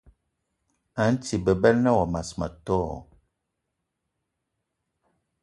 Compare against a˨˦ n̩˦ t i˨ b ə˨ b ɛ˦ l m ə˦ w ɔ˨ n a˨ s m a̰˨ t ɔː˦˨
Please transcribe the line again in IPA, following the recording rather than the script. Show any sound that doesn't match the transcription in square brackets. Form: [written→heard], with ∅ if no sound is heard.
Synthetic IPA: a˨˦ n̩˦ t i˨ b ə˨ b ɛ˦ l [m→n] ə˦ w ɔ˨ [n→m] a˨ s m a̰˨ t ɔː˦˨